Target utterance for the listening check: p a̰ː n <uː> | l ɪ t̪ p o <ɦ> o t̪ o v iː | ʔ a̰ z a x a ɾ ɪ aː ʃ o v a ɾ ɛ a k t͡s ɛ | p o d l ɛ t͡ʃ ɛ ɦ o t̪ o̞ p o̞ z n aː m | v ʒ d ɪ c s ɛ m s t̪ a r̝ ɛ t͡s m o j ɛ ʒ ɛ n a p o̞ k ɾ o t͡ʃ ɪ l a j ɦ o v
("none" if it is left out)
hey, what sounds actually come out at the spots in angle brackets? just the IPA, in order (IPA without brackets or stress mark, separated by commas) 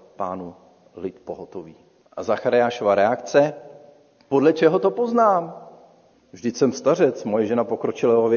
u, ɦ